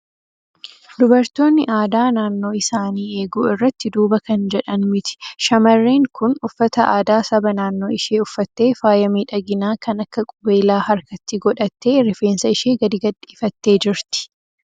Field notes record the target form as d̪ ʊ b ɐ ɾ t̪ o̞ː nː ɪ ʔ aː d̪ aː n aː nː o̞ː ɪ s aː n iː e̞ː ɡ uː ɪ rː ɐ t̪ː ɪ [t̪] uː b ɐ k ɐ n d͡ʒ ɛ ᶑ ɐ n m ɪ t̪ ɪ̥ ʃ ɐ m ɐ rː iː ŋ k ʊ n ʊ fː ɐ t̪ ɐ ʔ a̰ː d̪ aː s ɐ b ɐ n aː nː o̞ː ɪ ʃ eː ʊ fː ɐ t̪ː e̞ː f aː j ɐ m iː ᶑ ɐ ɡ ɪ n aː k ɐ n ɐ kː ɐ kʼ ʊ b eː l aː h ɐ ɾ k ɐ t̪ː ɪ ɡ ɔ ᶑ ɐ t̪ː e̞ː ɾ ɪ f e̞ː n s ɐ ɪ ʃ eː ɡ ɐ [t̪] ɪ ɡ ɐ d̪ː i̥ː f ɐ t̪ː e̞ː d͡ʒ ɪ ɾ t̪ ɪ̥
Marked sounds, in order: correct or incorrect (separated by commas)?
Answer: incorrect, incorrect